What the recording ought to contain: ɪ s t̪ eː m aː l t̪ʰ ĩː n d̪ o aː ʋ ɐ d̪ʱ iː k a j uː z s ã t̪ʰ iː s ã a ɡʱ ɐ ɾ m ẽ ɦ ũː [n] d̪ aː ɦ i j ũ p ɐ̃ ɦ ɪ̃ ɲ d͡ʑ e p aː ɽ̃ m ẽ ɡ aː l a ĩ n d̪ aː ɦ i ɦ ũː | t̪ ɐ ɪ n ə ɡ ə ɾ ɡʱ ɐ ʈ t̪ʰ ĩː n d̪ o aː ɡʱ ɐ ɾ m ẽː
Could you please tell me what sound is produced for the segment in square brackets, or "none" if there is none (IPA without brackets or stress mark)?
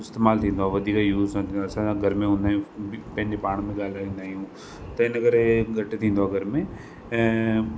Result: n